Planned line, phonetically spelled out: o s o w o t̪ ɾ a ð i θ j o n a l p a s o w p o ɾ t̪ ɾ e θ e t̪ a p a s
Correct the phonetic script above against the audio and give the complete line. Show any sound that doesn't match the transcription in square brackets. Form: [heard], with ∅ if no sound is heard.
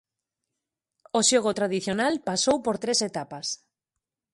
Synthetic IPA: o [ʃ] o [ɣ] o t̪ ɾ a ð i θ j o n a l p a s o w p o ɾ t̪ ɾ e [s] e t̪ a p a s